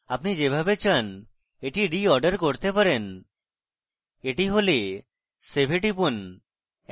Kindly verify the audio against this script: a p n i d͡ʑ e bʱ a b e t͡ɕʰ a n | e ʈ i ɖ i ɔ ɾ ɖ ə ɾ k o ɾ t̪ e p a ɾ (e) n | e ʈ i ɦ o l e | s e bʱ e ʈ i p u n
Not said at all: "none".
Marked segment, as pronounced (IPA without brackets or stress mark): e